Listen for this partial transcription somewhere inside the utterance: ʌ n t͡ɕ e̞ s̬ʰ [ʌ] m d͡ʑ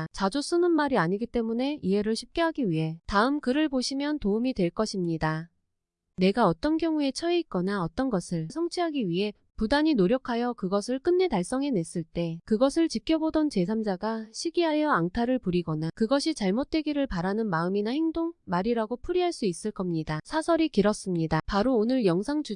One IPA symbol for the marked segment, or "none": a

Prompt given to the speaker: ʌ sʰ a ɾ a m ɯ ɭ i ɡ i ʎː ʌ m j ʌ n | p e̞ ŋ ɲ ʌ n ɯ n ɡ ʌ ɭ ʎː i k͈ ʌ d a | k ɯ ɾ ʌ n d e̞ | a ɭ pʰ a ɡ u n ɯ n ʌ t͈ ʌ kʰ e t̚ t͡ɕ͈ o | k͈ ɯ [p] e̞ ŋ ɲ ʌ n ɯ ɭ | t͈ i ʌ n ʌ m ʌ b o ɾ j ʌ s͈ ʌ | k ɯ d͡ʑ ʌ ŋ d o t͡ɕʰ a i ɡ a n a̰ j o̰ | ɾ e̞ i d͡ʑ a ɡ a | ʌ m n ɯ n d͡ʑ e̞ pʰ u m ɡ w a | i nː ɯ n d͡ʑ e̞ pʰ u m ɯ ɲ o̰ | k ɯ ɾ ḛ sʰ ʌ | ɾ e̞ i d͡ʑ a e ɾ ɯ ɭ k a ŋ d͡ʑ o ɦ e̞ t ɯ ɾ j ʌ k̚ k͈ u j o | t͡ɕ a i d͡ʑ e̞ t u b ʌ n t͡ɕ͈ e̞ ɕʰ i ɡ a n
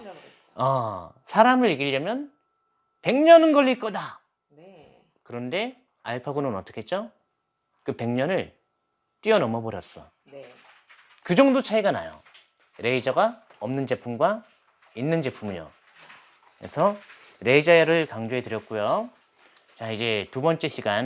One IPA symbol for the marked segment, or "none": p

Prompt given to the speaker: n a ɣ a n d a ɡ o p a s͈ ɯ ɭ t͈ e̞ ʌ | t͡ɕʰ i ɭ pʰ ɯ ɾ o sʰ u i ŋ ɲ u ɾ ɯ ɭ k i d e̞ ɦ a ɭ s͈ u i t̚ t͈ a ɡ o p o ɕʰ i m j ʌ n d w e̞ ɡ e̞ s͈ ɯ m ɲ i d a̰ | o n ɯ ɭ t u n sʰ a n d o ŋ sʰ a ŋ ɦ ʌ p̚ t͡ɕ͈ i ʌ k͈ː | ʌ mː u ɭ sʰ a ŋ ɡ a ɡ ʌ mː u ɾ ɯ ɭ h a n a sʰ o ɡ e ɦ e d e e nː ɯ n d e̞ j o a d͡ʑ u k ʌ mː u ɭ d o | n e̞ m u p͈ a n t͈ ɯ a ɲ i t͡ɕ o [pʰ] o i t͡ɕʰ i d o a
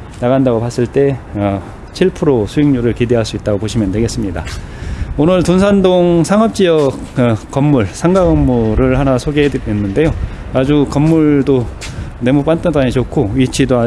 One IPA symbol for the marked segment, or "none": kʰ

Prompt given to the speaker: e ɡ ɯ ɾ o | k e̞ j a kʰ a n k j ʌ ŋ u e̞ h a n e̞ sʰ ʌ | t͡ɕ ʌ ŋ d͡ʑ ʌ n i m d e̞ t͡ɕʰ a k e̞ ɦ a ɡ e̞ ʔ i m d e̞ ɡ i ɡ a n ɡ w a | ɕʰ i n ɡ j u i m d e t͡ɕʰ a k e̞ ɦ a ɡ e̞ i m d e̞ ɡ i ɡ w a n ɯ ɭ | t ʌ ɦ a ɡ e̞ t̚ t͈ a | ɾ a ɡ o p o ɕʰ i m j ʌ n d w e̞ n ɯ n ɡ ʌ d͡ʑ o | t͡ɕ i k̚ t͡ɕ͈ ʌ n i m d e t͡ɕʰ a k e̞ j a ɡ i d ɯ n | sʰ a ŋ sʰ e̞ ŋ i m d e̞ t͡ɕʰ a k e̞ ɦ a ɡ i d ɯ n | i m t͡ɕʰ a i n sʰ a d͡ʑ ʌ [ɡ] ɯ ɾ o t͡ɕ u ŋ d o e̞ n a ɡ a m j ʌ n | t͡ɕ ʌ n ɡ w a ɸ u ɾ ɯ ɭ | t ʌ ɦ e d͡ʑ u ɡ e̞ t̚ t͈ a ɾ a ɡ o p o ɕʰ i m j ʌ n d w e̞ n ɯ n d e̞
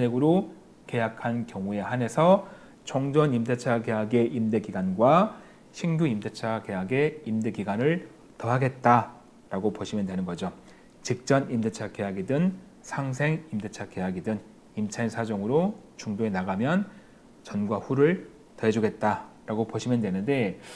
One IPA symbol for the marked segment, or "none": ŋ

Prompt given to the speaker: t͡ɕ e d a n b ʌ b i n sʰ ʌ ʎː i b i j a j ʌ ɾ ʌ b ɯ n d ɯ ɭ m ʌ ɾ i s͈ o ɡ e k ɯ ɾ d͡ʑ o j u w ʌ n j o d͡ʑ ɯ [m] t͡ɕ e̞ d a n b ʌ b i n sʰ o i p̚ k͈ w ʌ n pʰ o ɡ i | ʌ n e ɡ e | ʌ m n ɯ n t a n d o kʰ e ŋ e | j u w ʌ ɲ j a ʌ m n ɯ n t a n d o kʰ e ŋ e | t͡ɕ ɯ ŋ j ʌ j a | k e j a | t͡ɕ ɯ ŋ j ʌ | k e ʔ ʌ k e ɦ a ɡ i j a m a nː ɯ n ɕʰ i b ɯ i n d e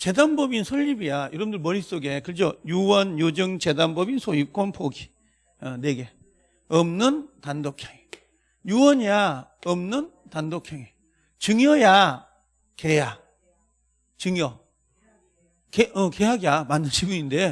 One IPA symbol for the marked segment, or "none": ŋ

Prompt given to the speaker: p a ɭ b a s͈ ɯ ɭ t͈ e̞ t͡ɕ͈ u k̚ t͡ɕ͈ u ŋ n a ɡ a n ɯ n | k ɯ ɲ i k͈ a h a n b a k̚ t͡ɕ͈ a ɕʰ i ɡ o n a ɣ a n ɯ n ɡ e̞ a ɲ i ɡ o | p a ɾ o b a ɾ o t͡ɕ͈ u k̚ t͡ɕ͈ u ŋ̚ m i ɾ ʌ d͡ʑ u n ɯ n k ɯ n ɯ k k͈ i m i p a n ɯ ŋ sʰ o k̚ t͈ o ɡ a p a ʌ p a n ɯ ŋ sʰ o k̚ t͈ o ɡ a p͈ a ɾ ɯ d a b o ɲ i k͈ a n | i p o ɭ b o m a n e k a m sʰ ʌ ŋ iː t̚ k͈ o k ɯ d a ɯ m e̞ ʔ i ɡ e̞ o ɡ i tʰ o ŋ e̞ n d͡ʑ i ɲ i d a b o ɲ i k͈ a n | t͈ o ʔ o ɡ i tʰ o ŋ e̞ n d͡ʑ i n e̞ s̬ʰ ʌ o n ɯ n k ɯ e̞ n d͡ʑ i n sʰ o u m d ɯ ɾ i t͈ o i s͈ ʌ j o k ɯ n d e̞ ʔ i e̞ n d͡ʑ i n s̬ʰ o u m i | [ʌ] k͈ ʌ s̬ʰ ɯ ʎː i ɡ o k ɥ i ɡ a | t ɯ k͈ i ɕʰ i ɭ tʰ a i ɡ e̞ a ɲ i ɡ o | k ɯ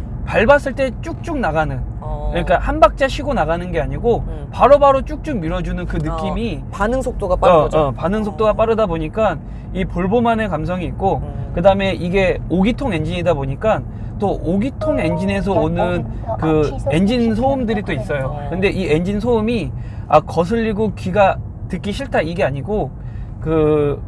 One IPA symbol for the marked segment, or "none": a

